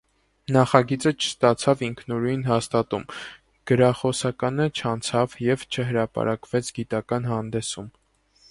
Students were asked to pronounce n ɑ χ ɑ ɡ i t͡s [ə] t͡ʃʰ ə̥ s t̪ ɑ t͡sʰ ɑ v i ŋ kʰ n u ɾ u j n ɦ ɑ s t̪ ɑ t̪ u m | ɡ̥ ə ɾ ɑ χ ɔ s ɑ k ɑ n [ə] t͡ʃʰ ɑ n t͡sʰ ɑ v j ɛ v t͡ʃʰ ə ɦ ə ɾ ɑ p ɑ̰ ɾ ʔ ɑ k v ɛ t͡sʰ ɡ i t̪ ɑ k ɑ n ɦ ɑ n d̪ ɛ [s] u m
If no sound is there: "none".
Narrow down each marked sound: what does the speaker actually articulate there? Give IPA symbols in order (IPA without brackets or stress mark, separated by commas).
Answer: ə, ə, s